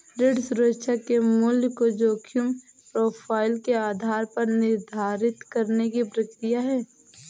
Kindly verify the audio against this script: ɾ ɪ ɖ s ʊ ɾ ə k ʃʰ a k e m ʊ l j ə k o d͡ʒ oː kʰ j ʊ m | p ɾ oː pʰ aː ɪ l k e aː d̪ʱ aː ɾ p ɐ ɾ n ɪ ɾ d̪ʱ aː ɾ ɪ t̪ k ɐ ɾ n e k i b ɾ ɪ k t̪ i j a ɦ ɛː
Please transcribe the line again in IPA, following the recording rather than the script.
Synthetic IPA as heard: ɾ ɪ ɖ s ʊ ɾ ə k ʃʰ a k e m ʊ l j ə k o d͡ʒ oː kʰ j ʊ m | p ɾ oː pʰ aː ɪ l k e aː d̪ʱ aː ɾ p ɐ ɾ n ɪ ɾ d̪ʱ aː ɾ ɪ t̪ k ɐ ɾ n e k i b ɾ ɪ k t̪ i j a ɦ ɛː